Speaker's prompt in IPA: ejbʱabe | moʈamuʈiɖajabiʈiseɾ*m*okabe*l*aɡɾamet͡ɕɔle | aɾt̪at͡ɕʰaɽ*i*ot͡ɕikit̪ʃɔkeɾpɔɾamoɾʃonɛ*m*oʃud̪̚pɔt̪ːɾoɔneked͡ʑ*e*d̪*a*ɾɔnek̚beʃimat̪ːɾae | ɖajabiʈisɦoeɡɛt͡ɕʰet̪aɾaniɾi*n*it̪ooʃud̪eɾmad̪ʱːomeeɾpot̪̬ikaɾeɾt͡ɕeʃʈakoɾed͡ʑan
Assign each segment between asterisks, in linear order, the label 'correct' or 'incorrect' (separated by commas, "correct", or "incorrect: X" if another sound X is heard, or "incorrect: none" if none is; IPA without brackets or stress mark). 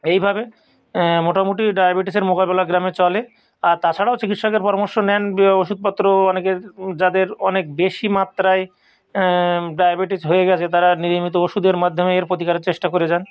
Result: correct, correct, incorrect: a, incorrect: n, incorrect: a, incorrect: e, incorrect: m